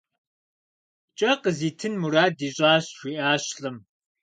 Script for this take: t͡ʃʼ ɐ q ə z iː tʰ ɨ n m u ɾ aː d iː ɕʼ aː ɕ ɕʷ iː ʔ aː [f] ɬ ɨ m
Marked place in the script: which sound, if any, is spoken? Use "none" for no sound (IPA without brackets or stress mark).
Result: ɕ